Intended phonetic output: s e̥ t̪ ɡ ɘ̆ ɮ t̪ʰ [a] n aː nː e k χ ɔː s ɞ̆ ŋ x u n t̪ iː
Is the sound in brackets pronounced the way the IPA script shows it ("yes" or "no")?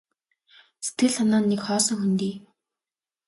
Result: yes